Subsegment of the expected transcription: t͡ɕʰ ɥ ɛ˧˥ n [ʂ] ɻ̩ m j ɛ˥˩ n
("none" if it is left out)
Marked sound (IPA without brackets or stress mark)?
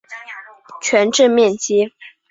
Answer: ʈ͡ʂ